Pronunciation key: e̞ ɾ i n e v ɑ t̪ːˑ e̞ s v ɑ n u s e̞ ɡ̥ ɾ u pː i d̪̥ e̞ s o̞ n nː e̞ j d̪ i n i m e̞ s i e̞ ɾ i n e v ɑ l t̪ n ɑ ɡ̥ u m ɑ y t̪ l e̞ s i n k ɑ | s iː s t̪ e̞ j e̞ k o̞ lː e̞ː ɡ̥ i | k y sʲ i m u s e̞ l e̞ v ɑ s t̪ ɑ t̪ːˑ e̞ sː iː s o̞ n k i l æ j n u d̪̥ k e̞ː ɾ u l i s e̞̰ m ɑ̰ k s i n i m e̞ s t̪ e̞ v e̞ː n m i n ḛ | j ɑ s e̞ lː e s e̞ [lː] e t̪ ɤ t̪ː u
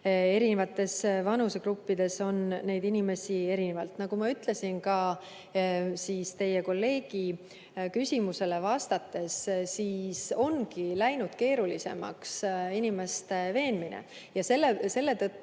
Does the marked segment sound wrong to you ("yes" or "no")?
no